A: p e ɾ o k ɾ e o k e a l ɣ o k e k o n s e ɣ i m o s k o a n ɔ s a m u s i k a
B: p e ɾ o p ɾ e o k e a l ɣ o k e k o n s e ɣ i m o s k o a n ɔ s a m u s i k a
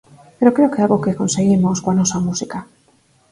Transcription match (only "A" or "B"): A